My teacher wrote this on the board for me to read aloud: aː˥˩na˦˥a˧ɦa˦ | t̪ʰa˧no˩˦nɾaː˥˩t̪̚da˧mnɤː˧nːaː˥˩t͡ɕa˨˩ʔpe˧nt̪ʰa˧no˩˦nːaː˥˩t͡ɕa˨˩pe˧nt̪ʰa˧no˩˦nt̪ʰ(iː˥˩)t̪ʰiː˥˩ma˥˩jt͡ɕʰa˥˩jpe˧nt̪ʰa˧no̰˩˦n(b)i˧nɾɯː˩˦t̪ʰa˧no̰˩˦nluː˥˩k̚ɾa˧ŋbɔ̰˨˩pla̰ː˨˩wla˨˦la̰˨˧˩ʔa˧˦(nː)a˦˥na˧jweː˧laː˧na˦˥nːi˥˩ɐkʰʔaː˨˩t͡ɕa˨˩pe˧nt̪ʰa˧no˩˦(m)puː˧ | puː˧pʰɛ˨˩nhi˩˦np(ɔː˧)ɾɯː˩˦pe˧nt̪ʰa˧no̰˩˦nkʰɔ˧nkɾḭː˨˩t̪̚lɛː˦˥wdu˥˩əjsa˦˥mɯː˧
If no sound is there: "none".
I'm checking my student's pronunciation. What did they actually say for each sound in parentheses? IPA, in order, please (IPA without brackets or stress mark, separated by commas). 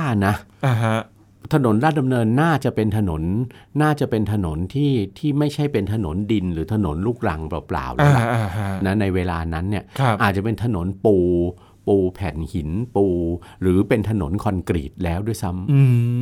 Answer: iː˥˩, d, n, n, uː˧